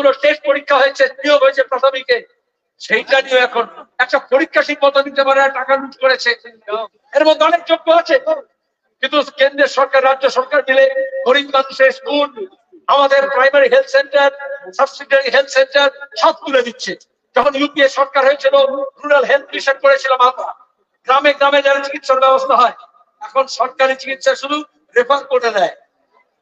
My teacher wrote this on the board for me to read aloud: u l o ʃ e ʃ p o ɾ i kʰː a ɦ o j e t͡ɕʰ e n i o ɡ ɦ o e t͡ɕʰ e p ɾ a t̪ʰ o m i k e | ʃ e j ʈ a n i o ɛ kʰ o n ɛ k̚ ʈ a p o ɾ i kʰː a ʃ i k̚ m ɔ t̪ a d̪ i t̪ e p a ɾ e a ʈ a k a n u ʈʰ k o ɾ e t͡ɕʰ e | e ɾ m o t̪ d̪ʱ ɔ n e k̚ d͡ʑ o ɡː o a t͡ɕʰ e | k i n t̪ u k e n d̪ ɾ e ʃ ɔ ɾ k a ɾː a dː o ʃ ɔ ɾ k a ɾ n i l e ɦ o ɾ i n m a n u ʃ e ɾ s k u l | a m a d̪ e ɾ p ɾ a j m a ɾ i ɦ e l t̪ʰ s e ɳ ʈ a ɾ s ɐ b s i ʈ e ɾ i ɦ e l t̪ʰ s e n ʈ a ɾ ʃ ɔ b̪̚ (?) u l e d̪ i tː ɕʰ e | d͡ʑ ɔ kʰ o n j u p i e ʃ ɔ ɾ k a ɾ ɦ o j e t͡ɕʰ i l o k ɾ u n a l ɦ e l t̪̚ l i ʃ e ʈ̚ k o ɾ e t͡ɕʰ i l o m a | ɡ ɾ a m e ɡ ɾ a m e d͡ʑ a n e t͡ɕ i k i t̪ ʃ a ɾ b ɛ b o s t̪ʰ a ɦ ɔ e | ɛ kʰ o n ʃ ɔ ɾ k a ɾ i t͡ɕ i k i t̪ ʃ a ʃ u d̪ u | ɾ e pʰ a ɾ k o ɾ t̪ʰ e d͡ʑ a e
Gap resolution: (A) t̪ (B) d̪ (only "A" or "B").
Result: A